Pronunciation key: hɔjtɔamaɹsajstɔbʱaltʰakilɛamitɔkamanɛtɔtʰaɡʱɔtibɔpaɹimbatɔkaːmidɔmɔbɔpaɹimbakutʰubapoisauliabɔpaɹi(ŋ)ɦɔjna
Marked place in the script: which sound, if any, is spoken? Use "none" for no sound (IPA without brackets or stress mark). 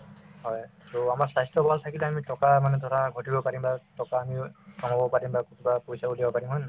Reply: m